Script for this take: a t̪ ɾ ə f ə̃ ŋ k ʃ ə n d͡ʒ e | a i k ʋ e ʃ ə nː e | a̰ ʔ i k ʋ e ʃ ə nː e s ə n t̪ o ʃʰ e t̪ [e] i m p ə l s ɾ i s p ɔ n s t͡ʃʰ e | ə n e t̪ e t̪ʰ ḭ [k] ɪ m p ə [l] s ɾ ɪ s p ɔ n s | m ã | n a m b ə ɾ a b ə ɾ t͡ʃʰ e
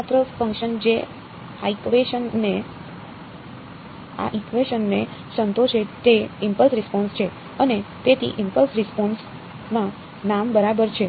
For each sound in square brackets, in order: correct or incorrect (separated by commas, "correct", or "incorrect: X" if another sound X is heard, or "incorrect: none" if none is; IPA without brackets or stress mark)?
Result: correct, incorrect: ʔ, correct